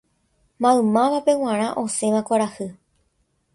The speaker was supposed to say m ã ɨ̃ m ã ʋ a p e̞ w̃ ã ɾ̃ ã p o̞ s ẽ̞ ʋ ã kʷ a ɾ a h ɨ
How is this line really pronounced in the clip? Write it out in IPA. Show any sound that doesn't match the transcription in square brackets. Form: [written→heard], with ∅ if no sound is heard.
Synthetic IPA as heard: m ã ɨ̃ m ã ʋ a p e̞ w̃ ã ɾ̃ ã [p→ʔ] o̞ s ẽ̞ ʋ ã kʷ a ɾ a h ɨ